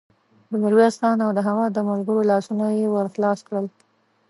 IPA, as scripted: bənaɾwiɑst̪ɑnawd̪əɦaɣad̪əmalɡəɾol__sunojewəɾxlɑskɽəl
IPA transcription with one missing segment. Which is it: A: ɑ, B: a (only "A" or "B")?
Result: A